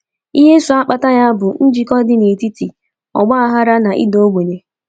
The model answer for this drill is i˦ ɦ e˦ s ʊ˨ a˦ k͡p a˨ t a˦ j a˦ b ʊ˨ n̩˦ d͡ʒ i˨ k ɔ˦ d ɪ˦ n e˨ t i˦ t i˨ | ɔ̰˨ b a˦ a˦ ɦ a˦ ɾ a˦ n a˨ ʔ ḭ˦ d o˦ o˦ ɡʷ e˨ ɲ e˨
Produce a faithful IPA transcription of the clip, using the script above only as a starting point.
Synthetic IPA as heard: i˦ ɦ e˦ s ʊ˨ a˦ k͡p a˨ t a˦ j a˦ b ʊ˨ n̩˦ d͡ʒ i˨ k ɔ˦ d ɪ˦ n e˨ t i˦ t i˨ | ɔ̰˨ ɡ͡b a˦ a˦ ɦ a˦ ɾ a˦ n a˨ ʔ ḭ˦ d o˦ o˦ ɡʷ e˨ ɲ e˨